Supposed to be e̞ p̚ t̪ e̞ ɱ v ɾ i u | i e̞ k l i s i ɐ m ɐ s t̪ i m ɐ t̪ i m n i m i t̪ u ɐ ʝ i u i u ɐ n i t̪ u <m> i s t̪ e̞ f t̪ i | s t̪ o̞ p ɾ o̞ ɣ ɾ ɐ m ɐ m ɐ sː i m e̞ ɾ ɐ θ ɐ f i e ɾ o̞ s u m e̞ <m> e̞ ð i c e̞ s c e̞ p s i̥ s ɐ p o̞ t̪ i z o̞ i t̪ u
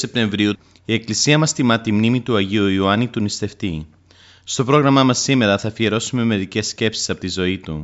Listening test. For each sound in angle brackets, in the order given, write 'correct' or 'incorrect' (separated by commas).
incorrect, correct